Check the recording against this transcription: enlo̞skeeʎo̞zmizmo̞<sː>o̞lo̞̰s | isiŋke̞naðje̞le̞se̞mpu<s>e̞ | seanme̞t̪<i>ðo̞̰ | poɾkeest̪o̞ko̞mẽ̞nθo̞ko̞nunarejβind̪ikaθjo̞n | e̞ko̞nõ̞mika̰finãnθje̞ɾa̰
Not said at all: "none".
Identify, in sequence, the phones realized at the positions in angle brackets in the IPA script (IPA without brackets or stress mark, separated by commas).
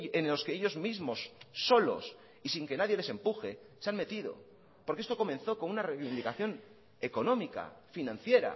sː, x, i